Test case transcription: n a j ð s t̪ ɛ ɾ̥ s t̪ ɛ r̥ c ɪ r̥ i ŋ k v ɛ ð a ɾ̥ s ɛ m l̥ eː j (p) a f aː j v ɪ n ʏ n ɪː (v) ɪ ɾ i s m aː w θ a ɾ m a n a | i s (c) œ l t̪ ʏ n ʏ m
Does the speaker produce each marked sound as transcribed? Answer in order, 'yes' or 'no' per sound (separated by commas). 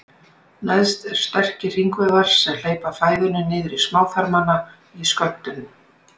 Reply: yes, no, no